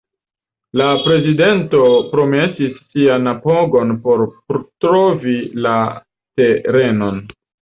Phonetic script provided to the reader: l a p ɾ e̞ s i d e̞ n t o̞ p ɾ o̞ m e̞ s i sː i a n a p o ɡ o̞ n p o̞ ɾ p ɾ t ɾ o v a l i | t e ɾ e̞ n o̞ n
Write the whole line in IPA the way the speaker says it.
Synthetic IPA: l a p ɾ e̞ z i d e̞ n t o̞ p ɾ o̞ m e̞ s i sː i a n a p o ɡ o̞ n p o̞ ɾ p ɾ t ɾ o v i l a | t e ɾ e̞ n o̞ n